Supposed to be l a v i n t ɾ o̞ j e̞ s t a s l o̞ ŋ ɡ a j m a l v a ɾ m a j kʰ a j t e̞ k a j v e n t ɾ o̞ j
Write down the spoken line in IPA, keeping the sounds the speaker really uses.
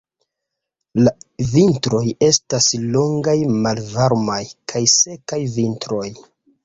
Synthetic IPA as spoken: l a v i n t ɾ o̞ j e̞ s t a s l o̞ ŋ ɡ a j m a l v a ɾ m a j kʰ a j s e̞ k a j v i n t ɾ o̞ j